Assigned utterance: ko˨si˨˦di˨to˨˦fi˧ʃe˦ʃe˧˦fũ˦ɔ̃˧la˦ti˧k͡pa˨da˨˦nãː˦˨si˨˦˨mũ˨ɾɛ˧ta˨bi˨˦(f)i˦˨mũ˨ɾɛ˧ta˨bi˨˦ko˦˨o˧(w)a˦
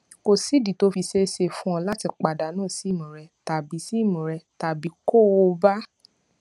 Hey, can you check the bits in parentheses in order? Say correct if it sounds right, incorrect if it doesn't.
incorrect: s, incorrect: b

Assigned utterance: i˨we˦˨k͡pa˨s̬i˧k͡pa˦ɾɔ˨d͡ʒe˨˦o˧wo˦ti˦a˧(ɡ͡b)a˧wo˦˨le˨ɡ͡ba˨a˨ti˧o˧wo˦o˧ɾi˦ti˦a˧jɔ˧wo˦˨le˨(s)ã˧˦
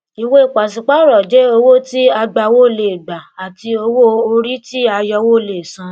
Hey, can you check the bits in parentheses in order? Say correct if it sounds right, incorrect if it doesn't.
correct, correct

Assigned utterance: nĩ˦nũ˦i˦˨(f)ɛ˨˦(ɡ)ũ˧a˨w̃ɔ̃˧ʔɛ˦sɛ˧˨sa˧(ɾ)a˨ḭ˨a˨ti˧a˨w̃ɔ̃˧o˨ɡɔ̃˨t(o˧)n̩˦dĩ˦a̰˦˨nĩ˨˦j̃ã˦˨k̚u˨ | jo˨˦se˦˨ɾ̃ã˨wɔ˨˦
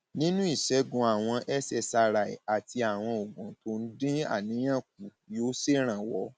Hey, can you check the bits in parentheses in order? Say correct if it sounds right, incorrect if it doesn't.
incorrect: ʃ, correct, correct, correct

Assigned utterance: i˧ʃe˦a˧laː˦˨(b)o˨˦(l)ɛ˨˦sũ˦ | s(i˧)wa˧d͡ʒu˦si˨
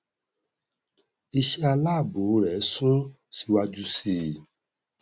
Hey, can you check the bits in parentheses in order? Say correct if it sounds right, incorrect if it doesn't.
correct, incorrect: ɾ, correct

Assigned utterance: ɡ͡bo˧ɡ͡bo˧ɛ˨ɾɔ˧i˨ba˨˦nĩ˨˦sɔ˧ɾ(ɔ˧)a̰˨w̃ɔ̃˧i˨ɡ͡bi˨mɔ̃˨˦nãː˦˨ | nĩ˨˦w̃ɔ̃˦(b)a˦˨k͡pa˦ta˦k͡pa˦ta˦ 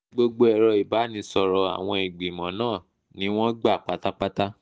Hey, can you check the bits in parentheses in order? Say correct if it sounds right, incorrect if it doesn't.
correct, incorrect: ɡ͡b

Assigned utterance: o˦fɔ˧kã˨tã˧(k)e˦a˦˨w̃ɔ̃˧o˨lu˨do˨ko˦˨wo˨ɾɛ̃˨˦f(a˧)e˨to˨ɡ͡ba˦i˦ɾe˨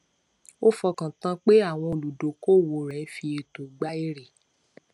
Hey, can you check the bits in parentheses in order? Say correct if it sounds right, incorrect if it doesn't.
incorrect: k͡p, incorrect: i˧

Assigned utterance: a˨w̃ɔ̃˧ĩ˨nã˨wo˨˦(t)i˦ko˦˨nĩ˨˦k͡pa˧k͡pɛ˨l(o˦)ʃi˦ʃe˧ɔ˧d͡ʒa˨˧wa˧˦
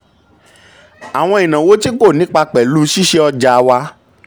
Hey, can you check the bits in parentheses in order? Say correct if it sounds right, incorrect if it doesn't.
correct, incorrect: u˦

